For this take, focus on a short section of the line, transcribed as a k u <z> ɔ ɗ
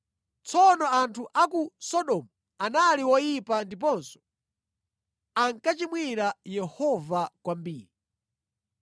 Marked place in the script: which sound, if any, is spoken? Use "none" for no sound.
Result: s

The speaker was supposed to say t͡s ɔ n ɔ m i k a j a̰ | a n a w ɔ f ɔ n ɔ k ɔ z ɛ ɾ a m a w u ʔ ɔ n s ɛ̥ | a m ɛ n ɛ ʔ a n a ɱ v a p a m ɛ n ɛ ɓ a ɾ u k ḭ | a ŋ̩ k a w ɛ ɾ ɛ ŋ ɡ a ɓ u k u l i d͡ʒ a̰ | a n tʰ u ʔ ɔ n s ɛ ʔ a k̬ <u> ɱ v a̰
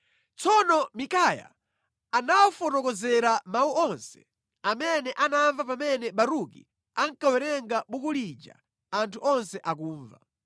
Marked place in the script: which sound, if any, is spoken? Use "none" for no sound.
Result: uː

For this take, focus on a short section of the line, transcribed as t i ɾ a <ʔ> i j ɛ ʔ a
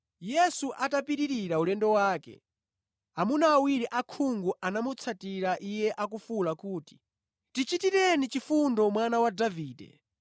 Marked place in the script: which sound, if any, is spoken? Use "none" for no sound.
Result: ʔ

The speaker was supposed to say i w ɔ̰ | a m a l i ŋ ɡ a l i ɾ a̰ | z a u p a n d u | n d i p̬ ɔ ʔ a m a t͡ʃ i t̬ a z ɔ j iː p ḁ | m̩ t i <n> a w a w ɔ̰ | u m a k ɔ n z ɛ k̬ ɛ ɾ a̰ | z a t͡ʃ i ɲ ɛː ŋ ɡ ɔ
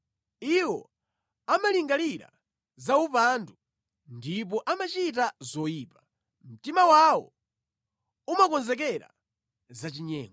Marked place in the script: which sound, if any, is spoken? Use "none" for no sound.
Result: m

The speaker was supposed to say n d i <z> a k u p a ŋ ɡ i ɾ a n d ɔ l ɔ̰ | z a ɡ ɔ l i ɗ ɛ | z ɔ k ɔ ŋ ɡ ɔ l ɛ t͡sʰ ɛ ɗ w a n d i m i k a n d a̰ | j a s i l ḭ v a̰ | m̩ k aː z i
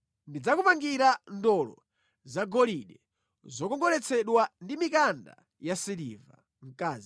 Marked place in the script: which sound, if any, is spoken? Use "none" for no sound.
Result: d͡z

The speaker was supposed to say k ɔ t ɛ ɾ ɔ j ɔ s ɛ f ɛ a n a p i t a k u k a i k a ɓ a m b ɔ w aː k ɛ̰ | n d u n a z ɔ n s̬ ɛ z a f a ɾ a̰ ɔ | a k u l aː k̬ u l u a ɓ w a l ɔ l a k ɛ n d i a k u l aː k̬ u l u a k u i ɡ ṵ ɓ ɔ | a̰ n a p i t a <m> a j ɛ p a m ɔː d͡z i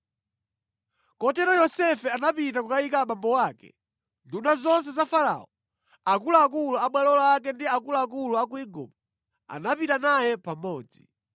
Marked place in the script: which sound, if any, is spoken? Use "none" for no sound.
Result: n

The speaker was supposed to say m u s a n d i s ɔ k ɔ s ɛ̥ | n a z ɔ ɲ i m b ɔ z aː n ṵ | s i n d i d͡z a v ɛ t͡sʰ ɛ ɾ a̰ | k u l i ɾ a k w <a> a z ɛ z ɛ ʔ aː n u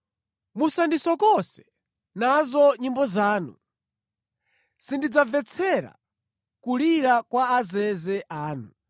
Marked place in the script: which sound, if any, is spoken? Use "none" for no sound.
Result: a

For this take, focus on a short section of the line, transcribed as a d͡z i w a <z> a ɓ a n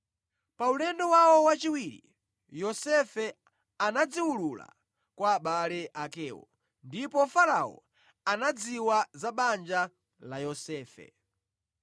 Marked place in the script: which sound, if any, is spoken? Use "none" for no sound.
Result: z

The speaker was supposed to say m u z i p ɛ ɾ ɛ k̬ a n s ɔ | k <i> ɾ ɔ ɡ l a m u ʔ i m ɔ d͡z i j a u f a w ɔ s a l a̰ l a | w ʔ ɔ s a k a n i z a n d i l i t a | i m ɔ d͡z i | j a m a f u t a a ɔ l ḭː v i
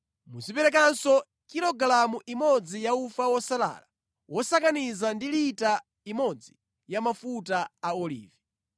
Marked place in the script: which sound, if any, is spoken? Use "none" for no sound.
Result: i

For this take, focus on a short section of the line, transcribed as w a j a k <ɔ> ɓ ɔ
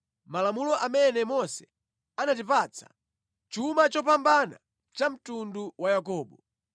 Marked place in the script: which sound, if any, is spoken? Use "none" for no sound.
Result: ɔː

